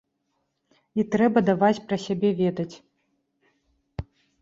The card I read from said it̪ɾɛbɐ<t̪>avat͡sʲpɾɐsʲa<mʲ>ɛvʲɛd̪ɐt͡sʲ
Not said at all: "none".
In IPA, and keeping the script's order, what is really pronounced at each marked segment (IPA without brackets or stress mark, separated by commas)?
d̪, bʲ